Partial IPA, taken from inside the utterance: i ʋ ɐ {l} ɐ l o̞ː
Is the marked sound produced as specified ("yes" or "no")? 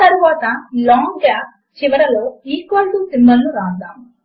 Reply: no